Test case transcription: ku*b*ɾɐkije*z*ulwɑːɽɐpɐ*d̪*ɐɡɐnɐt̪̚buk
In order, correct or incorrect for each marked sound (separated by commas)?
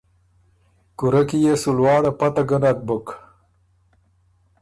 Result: incorrect, incorrect, incorrect